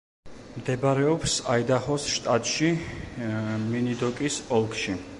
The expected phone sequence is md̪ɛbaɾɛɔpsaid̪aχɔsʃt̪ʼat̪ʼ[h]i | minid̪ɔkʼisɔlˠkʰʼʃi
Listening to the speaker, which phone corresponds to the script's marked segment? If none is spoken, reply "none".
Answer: ʃ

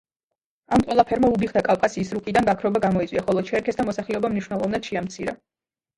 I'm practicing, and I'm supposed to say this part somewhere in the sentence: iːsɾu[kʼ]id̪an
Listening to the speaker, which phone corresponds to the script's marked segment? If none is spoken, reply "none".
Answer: kʼ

